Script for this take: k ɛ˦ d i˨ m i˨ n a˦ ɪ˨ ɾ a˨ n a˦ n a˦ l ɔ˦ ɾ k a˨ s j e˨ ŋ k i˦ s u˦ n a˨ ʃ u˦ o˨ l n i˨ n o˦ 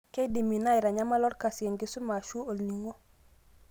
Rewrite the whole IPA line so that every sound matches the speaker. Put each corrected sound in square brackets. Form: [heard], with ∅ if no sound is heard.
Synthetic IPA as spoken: k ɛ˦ d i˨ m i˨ n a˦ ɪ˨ ɾ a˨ [ɲ] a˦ [m] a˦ l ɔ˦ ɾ k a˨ s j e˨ ŋ [ɡ] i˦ s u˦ [m] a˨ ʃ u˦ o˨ l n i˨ [ŋ] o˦